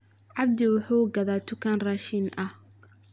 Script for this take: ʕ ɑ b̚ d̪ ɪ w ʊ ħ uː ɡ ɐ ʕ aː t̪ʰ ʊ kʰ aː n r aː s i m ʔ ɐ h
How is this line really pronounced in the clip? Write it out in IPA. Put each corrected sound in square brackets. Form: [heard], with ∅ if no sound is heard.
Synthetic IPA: ʕ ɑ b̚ d̪ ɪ w ʊ ħ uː ɡ ɐ [ð] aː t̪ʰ ʊ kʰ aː n r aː [ʃ] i [n] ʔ ɐ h